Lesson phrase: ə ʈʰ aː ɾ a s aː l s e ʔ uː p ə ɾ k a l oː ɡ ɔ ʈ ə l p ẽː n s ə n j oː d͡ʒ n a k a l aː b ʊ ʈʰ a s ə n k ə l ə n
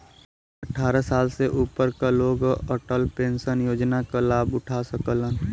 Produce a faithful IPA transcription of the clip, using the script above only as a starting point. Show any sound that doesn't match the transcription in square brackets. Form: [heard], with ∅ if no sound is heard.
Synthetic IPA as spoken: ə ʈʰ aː ɾ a s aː l s e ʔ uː p ə ɾ k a l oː ɡ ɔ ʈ ə l p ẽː n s ə n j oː d͡ʒ n a k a l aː b ʊ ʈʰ a s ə [∅] k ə l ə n